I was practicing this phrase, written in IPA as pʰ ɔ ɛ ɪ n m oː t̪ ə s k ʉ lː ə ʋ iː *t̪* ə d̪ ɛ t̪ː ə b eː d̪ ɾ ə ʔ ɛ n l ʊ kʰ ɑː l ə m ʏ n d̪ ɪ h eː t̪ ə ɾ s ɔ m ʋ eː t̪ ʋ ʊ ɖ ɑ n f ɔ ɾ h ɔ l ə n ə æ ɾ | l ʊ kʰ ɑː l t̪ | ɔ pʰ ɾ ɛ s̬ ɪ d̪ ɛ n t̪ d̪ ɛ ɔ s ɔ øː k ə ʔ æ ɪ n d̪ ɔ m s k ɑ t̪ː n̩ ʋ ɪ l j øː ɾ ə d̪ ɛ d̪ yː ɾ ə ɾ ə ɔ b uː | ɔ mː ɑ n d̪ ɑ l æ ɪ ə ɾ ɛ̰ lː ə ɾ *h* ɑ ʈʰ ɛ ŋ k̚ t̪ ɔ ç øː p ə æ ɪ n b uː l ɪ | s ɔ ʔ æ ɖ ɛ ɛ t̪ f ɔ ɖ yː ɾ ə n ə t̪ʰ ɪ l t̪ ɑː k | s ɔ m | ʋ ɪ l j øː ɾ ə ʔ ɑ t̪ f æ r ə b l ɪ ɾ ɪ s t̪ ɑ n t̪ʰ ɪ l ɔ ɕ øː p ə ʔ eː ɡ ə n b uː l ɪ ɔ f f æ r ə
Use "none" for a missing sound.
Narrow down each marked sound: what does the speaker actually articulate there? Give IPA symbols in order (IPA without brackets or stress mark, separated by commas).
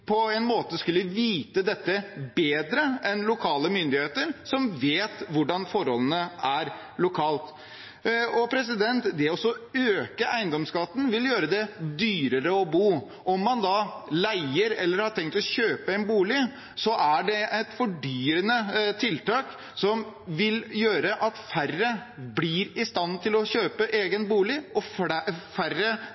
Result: t̪, h